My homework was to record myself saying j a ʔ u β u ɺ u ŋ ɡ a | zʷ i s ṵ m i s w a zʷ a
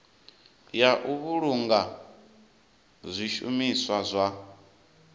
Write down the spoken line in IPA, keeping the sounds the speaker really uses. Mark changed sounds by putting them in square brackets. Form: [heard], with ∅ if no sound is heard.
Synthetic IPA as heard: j a ʔ u β u ɺ u ŋ ɡ a | zʷ i [ʃ] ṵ m i s w a zʷ a